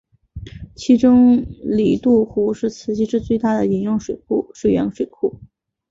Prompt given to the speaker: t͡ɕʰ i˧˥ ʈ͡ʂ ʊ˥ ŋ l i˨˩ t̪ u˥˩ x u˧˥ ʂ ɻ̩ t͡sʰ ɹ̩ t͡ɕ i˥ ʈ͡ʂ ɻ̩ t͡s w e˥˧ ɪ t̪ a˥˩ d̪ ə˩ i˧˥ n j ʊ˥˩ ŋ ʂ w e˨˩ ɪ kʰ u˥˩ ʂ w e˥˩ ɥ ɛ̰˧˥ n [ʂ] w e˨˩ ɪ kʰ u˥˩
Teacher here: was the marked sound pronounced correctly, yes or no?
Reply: yes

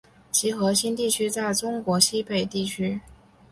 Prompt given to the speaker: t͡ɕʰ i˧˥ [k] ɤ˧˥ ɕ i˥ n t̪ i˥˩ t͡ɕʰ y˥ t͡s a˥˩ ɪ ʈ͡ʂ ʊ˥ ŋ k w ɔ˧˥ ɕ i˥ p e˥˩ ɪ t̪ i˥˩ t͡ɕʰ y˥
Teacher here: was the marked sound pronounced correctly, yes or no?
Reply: no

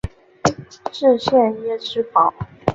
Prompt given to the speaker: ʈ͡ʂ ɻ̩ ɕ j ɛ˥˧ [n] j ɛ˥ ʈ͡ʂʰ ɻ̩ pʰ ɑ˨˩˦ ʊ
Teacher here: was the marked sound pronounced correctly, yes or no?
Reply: yes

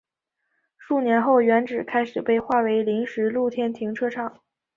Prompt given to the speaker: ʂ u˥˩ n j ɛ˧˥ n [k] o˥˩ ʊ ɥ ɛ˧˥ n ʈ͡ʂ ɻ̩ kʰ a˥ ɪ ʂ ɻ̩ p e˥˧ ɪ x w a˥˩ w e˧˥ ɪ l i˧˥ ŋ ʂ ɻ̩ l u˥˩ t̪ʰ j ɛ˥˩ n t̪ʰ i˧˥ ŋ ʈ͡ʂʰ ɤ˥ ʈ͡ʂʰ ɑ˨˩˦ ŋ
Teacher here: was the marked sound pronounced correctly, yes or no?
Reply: no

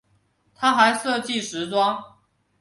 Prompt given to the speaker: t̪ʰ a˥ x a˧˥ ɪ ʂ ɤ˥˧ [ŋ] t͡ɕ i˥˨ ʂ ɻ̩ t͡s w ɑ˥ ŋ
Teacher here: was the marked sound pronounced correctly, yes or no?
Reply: no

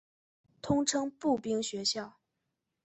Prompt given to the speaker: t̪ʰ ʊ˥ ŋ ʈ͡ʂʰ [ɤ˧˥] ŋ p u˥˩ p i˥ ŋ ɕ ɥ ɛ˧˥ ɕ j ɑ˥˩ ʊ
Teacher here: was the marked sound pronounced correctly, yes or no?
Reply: no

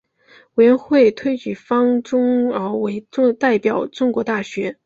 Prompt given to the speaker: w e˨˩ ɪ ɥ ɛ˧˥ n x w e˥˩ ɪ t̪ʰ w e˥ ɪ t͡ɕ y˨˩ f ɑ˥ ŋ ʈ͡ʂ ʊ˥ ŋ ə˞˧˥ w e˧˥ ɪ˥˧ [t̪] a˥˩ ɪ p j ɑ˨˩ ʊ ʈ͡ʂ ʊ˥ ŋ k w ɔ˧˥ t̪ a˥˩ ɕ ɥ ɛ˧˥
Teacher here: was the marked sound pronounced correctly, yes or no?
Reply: yes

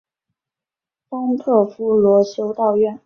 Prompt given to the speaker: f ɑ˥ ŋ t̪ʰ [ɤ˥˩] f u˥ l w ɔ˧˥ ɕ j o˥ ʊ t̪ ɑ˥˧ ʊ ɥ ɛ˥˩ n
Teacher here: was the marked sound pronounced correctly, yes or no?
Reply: yes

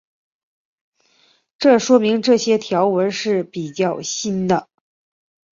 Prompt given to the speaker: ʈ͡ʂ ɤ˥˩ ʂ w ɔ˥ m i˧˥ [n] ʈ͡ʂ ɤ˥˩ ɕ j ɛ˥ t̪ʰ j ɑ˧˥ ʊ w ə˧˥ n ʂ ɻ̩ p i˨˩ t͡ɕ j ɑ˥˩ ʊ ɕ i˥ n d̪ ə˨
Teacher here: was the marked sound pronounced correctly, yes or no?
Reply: no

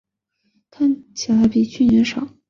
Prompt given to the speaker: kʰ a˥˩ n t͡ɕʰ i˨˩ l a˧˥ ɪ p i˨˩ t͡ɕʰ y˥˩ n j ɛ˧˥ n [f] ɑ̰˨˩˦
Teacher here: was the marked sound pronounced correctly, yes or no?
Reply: no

